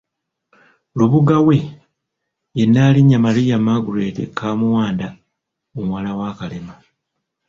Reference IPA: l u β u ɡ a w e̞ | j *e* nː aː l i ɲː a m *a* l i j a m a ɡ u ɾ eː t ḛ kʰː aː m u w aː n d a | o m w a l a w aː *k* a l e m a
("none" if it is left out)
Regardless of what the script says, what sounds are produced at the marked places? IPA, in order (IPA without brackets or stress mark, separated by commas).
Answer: e, a, k